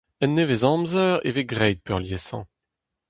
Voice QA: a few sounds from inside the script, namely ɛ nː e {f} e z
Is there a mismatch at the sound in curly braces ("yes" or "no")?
yes